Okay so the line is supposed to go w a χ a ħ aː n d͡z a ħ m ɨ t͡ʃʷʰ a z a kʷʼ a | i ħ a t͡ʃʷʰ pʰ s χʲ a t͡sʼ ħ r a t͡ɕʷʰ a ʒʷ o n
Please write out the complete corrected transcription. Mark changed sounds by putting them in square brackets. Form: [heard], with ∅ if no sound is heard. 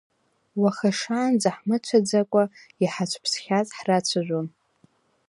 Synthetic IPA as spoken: w a χ a [ʂ] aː n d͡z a ħ m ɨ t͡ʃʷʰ a [d͡z] a kʷʼ a | i ħ a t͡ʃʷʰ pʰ s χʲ a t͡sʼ ħ r a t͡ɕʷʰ a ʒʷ o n